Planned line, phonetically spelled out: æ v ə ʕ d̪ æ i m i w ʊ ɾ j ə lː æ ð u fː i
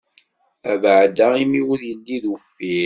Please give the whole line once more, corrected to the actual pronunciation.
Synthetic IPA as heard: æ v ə ʕ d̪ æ i m i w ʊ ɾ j ə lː i ð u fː i

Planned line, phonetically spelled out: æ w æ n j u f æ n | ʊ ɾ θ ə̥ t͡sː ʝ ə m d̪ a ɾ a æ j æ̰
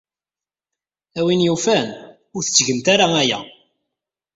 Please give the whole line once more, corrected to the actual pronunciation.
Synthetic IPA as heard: æ w i n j u f æ n | ʊ ɾ θ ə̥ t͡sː ʝ ə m t̪ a ɾ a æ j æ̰

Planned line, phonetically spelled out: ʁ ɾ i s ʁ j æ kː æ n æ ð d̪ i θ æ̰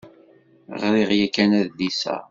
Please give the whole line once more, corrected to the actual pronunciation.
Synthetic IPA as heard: ʁ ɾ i ʁ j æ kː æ n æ ð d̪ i s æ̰

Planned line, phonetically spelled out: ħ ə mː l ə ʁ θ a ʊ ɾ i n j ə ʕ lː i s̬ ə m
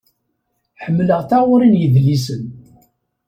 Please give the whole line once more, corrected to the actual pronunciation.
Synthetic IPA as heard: ħ ə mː l ə ʁ θ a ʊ ɾ i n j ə ð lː i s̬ ə n

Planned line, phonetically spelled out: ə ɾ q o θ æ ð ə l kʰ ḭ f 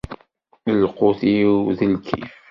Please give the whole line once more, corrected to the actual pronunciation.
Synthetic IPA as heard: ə l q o θ i ð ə l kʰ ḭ f

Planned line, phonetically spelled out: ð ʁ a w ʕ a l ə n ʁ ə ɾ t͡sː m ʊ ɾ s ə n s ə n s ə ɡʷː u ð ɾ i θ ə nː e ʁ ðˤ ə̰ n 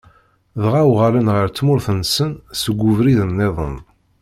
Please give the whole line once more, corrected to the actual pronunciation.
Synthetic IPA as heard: ð ʁ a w ʁ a l ə n ʁ ə ɾ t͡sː m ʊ ɾ θ ə n s ə n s ə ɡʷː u v ɾ i ð ə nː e ðˤ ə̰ n

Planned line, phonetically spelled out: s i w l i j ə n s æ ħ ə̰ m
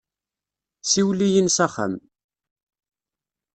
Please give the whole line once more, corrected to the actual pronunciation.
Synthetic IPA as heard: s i w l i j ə n s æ χ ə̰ m

